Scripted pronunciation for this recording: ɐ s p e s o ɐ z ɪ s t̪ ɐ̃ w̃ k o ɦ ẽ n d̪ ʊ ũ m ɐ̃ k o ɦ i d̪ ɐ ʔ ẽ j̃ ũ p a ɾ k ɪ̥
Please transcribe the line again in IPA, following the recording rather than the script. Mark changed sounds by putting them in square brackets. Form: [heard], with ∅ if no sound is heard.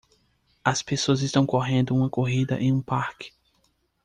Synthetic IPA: ɐ s p e s o ɐ z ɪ s t̪ ɐ̃ w̃ k o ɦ ẽ n d̪ ʊ ũ m [ɐ] k o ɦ i d̪ ɐ ʔ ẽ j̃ ũ p a ɾ k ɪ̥